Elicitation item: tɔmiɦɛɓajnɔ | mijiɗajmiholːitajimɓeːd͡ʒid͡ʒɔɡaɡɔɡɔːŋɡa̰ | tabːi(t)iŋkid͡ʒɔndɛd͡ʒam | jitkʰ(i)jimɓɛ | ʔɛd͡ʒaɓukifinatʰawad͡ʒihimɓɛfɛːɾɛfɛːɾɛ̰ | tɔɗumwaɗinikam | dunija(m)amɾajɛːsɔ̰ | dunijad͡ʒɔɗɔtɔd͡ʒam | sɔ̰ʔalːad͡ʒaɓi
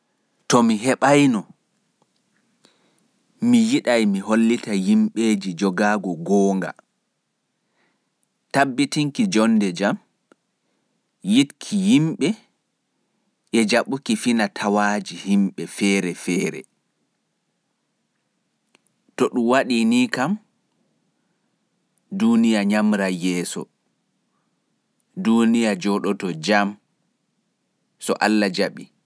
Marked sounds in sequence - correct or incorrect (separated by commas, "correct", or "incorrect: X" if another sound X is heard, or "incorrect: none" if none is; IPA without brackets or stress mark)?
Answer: correct, correct, incorrect: ɲ